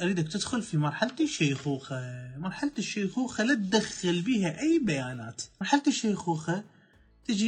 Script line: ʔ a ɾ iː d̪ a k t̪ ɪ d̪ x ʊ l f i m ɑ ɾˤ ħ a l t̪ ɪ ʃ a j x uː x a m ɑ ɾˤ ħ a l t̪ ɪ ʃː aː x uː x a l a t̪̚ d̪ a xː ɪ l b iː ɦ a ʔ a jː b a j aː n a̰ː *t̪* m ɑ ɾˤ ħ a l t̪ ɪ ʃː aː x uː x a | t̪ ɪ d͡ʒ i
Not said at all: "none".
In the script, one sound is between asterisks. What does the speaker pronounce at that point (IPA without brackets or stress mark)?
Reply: t̪